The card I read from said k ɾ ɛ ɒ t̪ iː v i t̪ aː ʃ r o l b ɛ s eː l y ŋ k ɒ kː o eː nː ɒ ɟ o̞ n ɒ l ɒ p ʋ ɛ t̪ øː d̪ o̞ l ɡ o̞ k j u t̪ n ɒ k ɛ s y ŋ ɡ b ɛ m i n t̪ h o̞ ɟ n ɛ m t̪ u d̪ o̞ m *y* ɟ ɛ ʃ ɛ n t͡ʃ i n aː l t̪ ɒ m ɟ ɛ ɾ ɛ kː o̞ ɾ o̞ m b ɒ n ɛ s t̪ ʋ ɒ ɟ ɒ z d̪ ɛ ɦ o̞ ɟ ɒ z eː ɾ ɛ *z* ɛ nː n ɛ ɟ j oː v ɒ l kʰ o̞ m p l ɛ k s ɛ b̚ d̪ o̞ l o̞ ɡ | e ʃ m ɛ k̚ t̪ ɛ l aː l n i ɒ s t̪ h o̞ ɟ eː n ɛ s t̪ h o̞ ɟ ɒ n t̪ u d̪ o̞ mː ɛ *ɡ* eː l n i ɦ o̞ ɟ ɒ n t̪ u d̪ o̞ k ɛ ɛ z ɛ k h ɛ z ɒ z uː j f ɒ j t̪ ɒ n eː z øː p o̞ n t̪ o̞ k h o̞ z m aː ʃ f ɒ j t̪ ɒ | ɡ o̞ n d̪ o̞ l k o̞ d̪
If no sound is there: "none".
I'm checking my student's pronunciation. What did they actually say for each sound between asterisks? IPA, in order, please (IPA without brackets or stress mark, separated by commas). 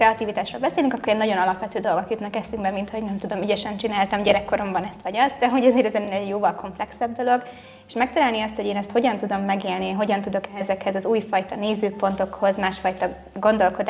y, z, ɡ